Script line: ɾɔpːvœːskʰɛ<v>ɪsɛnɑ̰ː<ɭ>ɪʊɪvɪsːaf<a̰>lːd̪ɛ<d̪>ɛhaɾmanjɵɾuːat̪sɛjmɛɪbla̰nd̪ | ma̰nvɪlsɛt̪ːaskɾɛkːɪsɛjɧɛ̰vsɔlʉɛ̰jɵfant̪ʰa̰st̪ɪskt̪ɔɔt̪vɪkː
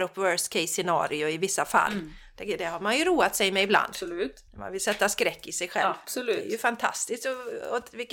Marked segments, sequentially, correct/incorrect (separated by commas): incorrect, incorrect, correct, correct